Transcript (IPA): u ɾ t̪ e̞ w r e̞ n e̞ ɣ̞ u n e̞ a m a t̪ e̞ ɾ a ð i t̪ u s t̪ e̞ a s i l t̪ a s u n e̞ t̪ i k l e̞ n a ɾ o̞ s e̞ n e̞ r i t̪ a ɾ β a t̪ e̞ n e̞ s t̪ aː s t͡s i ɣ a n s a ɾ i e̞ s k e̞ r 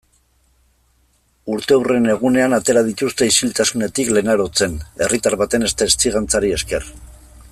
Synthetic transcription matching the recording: u ɾ t̪ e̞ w r e̞ n e̞ ɣ̞ u n e̞ a n a t̪ e̞ ɾ a ð i t̪ u s t̪ e̞ i s i l t̪ a s u n e̞ t̪ i k l e̞ n a ɾ o̞ t͡s e̞ n e̞ r i t̪ a ɾ β a t̪ e̞ n e̞ s t̪ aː s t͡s i ɣ a n t͡s a ɾ i e̞ s k e̞ r

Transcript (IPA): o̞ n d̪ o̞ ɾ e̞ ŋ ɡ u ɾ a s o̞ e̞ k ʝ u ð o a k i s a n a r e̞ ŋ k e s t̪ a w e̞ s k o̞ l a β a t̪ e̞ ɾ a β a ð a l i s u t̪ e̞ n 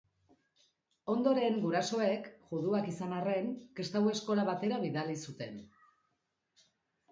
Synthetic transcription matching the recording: o̞ n d̪ o̞ ɾ e̞ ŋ ɡ u ɾ a s o̞ e̞ k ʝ u ð u a k i s a n a r e̞ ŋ k e s t̪ a w e̞ s k o̞ l a β a t̪ e̞ ɾ a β i ð a l i s u t̪ e̞ n

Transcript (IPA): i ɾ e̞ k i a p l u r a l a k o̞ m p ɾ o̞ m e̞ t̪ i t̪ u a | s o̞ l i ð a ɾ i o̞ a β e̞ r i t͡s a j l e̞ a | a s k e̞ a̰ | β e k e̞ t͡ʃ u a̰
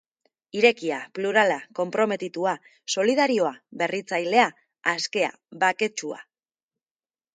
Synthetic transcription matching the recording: i ɾ e̞ k i a p l u ɾ a l a k o̞ m p ɾ o̞ m e̞ t̪ i t̪ u a | s o̞ l i ð a ɾ i o̞ a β e̞ r i t͡s a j l e̞ a | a s k e̞ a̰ | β a k e̞ t͡ʃ u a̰

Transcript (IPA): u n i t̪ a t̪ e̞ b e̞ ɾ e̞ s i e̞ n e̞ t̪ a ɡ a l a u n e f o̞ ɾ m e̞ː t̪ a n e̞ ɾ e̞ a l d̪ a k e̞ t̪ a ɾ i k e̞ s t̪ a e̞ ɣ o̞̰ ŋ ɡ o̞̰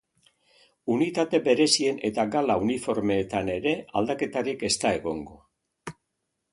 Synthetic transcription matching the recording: u n i t̪ a t̪ e̞ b e̞ ɾ e̞ s i e̞ n e̞ t̪ a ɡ a l a u n i f o̞ ɾ m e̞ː t̪ a n e̞ ɾ e̞ a l d̪ a k e̞ t̪ a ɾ i k e̞ s t̪ a e̞ ɣ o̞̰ ŋ ɡ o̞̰

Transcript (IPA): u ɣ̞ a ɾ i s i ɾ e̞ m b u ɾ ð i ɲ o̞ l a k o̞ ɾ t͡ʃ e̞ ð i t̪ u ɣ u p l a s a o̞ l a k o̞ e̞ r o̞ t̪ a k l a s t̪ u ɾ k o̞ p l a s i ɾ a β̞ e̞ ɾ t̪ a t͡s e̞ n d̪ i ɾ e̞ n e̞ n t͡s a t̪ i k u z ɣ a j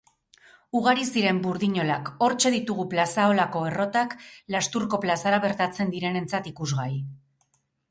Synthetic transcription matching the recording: u ɣ̞ a ɾ i s i ɾ e̞ m b u ɾ ð i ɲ o̞ l a k o̞ ɾ t͡ʃ e̞ ð i t̪ u ɣ u p l a s a o̞ l a k o̞ e̞ r o̞ t̪ a k l a s t̪ u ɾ k o̞ p l a s a ɾ a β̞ e̞ ɾ t̪ a t͡s e̞ n d̪ i ɾ e̞ n e̞ n t͡s a t̪ i k u z ɣ a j

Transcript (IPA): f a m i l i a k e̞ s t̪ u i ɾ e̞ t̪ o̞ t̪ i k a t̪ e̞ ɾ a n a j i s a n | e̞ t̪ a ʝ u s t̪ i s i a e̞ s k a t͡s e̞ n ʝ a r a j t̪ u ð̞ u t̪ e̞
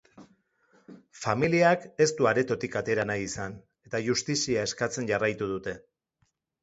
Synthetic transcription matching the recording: f a m i l i a k e̞ s t̪ u a ɾ e̞ t̪ o̞ t̪ i k a t̪ e̞ ɾ a n a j i s a n | e̞ t̪ a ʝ u s t̪ i s i a e̞ s k a t͡s e̞ n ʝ a r a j t̪ u ð̞ u t̪ e̞

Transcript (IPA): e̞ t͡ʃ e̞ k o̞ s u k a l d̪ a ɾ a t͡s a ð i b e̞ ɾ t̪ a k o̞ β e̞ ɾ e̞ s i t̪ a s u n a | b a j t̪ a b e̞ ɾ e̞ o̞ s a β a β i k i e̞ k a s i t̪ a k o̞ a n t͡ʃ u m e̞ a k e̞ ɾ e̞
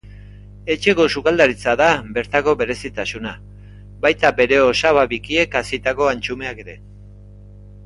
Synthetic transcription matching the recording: e̞ t͡ʃ e̞ k o̞ s u k a l d̪ a ɾ i t͡s a ð a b e̞ ɾ t̪ a k o̞ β e̞ ɾ e̞ s i t̪ a s u n a | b a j t̪ a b e̞ ɾ e̞ o̞ s a β a β i k i e̞ k a s i t̪ a k o̞ a n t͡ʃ u m e̞ a k e̞ ɾ e̞

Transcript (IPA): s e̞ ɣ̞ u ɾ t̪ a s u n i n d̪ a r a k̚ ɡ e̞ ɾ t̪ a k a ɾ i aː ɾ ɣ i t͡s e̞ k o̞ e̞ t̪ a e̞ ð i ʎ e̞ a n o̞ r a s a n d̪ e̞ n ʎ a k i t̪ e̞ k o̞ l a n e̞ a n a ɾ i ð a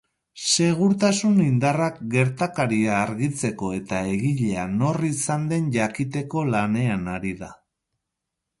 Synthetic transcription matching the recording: s e̞ ɣ̞ u ɾ t̪ a s u n i n d̪ a r a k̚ ɡ e̞ ɾ t̪ a k a ɾ i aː ɾ ɣ i t͡s e̞ k o̞ e̞ t̪ a e̞ ɣ i ʎ e̞ a n o̞ r i s a n d̪ e̞ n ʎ a k i t̪ e̞ k o̞ l a n e̞ a n a ɾ i ð a

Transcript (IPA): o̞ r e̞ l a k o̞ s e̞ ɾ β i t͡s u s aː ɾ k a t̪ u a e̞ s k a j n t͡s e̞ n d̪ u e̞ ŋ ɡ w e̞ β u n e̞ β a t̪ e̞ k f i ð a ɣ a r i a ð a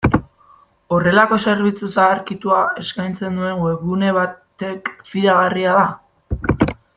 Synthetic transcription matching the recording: o̞ r e̞ l a k o̞ s e̞ ɾ β i t͡s u s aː ɾ k i t̪ u a e̞ s k a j n t͡s e̞ n d̪ u e̞ ŋ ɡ w e̞ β u n e̞ β a t̪ e̞ k f i ð a ɣ a r i a ð a

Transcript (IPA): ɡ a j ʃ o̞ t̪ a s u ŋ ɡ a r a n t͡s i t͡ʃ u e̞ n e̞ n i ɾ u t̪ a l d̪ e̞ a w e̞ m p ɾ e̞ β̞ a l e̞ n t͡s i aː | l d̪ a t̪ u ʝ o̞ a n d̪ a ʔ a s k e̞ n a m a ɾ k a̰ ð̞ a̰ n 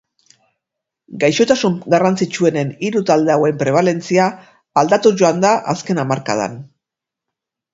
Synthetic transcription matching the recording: ɡ a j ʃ o̞ t̪ a s u ŋ ɡ a r a n t͡s i t͡ʃ u e̞ n e̞ n i ɾ u t̪ a l d̪ e̞ a w e̞ m p ɾ e̞ β̞ a l e̞ n t͡s i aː | l d̪ a t̪ u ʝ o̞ a n d̪ a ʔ a s k e̞ n a m a ɾ k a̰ ð̞ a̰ n

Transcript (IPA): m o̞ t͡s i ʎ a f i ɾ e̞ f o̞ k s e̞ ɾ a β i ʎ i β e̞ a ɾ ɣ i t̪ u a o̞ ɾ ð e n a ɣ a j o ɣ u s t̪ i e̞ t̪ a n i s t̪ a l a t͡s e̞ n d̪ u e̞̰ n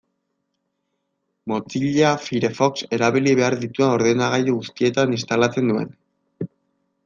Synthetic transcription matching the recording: m o̞ t͡s i ʎ a f i ɾ e̞ f o̞ k s e̞ ɾ a β i l i β e̞ a ɾ ð i t̪ u a o̞ ɾ ð e n a ɣ a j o ɣ u s t̪ i e̞ t̪ a n i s t̪ a l a t͡s e̞ n d̪ u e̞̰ n

